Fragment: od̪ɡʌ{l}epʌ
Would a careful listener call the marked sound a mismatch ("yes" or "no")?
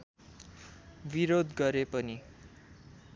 yes